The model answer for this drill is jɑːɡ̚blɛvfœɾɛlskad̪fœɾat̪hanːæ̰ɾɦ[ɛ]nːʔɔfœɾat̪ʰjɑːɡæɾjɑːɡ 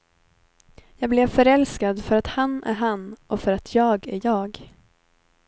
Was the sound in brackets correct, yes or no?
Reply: no